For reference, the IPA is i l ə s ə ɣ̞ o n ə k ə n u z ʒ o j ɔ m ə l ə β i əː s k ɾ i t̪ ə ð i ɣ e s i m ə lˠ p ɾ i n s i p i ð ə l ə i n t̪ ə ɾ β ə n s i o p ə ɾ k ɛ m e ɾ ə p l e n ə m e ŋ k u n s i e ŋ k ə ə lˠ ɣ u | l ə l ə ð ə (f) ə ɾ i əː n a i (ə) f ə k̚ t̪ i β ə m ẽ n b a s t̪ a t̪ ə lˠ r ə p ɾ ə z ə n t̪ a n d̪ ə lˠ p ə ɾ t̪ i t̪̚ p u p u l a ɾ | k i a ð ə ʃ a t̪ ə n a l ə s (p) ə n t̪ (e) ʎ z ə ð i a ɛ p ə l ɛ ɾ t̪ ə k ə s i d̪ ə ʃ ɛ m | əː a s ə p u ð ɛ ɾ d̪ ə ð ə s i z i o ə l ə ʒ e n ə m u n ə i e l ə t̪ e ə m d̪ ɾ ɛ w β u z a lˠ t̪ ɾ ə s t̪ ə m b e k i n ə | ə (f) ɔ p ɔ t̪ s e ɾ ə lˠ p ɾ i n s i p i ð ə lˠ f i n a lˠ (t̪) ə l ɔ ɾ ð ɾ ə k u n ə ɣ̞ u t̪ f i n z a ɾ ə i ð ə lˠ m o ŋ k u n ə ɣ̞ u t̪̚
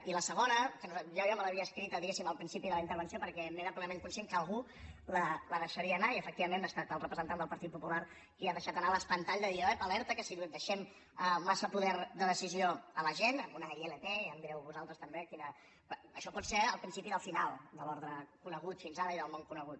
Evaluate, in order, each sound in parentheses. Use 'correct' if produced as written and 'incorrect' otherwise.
incorrect, correct, correct, incorrect, incorrect, incorrect

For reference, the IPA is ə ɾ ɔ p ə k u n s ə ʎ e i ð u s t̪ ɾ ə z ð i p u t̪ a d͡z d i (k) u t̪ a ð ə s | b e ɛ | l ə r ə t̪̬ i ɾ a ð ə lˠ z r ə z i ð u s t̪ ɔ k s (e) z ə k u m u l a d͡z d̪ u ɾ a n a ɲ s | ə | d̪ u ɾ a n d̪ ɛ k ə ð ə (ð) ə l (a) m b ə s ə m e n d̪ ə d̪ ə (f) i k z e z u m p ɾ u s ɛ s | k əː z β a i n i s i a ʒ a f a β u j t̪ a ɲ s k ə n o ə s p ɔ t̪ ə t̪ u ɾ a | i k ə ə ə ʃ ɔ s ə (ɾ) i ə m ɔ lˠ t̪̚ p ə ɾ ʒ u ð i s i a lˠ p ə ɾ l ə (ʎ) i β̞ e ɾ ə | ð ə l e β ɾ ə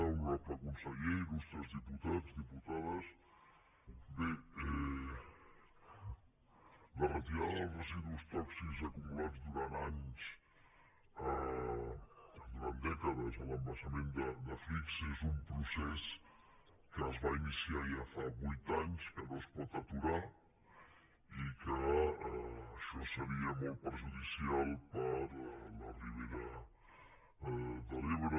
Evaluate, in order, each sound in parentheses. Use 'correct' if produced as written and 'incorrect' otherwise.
incorrect, incorrect, incorrect, incorrect, correct, correct, incorrect

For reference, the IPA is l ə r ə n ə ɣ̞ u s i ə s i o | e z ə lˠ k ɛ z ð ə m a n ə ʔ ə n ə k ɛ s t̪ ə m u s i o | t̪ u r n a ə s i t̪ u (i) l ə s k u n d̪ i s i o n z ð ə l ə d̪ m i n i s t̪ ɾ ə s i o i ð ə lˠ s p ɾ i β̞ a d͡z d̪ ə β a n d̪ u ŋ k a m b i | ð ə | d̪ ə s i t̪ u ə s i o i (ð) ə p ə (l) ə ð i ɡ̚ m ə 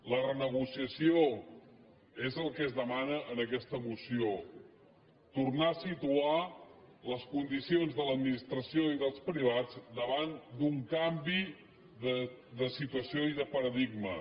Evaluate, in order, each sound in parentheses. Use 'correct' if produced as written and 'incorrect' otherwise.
incorrect, correct, incorrect

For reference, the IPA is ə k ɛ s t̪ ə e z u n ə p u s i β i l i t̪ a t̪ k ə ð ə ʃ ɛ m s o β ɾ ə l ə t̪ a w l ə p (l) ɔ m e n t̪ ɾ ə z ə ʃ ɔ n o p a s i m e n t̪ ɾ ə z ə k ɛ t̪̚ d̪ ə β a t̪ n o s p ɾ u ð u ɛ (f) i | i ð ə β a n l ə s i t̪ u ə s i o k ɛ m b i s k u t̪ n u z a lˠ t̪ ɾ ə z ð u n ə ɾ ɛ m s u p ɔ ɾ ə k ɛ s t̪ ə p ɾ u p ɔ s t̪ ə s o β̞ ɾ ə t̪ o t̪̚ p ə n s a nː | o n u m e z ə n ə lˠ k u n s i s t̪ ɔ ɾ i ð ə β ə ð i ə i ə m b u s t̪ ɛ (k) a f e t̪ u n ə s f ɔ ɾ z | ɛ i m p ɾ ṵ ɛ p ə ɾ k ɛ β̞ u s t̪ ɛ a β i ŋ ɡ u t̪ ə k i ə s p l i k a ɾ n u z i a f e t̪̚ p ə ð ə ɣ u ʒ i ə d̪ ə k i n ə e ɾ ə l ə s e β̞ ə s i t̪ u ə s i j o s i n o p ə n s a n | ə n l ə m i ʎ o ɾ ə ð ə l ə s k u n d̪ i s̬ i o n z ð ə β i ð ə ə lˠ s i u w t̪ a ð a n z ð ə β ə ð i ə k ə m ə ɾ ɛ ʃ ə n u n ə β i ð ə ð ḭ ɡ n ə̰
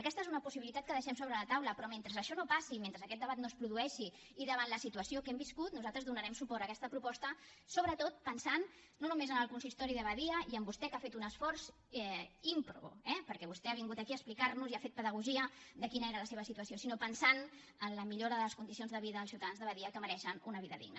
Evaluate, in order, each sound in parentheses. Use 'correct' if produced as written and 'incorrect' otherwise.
incorrect, incorrect, correct

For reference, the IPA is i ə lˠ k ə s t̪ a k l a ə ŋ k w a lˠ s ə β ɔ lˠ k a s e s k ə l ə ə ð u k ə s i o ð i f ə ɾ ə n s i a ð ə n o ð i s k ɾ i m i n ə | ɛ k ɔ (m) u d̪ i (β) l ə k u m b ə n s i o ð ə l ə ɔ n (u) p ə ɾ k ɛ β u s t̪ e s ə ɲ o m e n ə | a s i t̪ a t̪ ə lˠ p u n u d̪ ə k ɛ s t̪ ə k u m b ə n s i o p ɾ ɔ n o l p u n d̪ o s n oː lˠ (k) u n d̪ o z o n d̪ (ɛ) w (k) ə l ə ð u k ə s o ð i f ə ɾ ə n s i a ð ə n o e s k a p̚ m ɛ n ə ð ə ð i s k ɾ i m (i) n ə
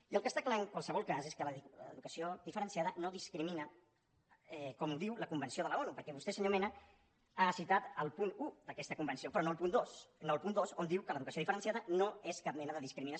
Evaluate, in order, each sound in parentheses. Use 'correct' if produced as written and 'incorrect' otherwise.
correct, incorrect, correct, incorrect, incorrect, correct, correct

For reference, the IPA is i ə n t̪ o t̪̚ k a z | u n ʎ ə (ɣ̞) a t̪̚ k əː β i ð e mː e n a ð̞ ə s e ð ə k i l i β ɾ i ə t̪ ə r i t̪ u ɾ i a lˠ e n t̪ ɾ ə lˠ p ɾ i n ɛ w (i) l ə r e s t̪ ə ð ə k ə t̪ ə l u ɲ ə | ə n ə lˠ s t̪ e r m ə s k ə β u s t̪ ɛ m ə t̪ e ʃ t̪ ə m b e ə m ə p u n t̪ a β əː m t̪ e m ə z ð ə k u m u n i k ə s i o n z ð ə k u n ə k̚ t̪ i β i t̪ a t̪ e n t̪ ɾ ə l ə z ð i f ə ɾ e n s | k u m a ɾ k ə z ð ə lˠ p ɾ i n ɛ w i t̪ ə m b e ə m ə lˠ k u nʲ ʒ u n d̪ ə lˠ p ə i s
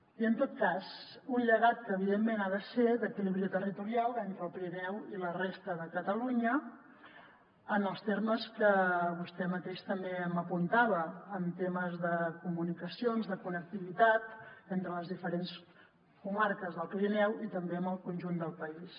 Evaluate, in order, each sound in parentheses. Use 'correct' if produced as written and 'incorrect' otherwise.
correct, correct

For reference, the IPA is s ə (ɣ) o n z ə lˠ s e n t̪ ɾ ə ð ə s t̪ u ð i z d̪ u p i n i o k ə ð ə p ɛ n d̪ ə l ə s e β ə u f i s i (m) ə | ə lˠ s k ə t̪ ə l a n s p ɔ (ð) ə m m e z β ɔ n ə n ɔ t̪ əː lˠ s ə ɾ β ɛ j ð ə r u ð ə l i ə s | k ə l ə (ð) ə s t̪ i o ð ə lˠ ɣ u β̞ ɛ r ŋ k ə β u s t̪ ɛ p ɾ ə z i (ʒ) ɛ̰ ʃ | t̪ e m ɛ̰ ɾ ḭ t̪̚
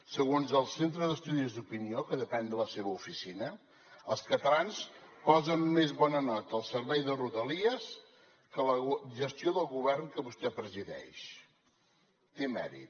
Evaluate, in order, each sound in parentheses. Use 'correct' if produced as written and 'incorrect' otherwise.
correct, incorrect, incorrect, incorrect, incorrect

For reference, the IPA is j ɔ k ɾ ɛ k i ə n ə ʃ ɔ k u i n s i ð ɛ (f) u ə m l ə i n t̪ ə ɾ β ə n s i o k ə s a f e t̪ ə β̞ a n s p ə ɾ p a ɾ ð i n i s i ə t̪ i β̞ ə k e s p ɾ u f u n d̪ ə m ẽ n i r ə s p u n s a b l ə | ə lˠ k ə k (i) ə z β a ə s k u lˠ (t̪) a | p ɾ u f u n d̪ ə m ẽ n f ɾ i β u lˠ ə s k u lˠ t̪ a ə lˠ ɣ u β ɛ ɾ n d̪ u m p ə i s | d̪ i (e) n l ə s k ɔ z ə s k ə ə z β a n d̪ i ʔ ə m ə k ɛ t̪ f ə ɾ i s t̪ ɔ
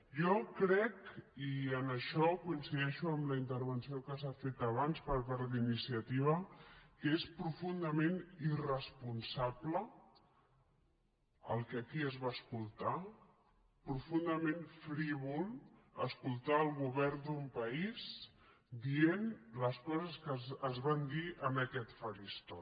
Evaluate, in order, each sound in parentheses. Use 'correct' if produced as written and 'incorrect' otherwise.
incorrect, correct, correct, correct

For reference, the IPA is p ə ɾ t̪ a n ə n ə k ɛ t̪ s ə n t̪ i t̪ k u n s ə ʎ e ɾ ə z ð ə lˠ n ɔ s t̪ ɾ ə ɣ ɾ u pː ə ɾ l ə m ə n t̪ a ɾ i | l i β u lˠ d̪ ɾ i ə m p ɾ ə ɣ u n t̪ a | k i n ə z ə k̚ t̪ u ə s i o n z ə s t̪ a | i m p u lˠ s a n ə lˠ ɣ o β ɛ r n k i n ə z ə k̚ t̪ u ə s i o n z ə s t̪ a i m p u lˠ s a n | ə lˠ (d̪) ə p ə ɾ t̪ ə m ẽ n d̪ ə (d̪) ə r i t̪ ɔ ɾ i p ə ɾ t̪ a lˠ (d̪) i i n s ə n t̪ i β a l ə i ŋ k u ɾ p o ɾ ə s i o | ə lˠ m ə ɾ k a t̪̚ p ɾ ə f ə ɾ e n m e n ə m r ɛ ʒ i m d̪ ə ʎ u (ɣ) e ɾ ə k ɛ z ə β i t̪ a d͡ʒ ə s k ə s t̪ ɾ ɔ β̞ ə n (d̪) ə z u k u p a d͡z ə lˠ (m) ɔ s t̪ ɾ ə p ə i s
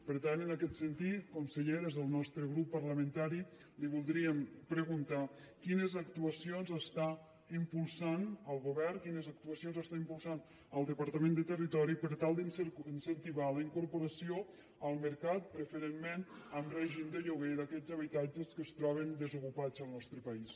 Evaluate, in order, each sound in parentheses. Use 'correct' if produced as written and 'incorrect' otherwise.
correct, incorrect, correct, correct, correct, incorrect

